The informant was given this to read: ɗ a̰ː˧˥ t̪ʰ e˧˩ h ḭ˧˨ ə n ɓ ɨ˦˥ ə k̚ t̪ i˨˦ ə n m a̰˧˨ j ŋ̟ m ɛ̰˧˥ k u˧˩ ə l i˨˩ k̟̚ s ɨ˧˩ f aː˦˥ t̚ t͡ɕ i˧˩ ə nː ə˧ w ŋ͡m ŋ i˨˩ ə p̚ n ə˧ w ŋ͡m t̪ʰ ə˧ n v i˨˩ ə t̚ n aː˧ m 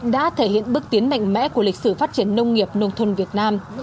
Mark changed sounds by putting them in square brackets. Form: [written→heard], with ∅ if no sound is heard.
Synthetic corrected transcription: ɗ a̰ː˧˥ t̪ʰ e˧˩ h ḭ˧˨ ə n ɓ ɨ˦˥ ə k̚ t̪ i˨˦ ə n m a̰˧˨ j ŋ̟ m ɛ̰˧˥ k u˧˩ ə l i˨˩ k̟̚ s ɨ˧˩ f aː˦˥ t̚ t͡ɕ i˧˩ ə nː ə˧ w ŋ͡m ŋ i˨˩ ə p̚ n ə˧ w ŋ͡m t̪ʰ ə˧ n v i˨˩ ə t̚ n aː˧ m